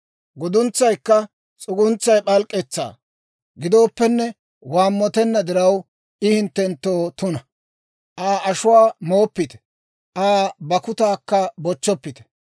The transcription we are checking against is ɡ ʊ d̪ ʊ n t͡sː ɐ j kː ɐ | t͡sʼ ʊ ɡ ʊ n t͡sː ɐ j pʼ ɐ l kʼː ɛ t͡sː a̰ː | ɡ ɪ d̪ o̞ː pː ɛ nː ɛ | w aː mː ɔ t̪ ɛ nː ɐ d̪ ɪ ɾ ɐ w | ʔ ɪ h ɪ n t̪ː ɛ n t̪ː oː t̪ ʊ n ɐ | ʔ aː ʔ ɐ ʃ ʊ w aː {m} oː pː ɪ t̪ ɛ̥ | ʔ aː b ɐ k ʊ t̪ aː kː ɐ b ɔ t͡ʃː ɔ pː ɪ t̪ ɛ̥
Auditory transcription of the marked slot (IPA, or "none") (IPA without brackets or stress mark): m